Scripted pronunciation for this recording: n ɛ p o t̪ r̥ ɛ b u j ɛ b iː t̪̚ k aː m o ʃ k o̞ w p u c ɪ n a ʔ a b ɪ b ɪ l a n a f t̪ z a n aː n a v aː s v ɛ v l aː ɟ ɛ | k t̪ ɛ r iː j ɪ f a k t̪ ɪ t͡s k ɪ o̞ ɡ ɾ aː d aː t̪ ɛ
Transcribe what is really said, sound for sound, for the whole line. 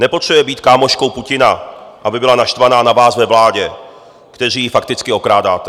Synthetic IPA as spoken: n ɛ p o t̪ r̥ ɛ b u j ɛ b iː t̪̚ k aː m o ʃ k o̞ w p u c ɪ n a ʔ a b ɪ b ɪ l a n a ʃ t̪ v a n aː n a v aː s v ɛ v l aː ɟ ɛ | k t̪ ɛ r iː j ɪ f a k t̪ ɪ t͡s k ɪ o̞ k ɾ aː d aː t̪ ɛ